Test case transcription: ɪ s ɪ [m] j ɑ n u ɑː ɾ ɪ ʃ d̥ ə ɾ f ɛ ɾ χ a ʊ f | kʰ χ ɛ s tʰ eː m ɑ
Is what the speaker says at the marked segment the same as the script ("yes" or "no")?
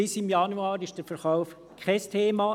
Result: yes